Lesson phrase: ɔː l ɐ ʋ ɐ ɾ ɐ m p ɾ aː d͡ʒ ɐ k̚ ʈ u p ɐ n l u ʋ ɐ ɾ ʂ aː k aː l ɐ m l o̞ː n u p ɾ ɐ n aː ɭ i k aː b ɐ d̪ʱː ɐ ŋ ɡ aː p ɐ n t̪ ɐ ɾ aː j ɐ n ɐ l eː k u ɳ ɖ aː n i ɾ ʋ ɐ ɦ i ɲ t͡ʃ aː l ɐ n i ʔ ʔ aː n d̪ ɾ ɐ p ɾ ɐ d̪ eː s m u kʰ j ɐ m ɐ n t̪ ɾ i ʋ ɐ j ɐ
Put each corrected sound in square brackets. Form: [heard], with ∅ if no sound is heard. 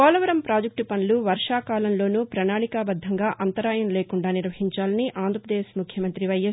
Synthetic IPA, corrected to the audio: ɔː l ɐ ʋ ɐ ɾ ɐ m p ɾ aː d͡ʒ ɐ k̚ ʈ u p ɐ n l u ʋ ɐ ɾ ʂ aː k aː l ɐ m l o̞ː n u p ɾ ɐ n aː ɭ i k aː b ɐ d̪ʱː ɐ ŋ ɡ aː [ʔ] ɐ n t̪ ɐ ɾ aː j ɐ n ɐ l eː k u ɳ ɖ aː n i ɾ ʋ ɐ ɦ i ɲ t͡ʃ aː l ɐ n i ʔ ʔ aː n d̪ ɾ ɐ p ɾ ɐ d̪ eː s m u kʰ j ɐ m ɐ n t̪ ɾ i ʋ ɐ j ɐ